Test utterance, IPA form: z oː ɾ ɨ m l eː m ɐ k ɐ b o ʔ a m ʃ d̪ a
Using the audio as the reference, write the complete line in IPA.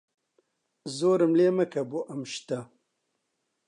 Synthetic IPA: z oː ɾ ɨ m l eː m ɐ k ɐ b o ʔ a m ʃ t̪ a